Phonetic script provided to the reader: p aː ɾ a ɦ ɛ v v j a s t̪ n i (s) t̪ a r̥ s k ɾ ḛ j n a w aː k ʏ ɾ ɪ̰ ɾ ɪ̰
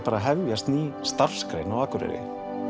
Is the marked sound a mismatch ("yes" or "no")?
no